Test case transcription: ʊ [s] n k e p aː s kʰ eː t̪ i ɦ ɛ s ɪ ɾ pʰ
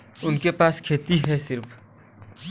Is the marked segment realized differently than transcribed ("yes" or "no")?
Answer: yes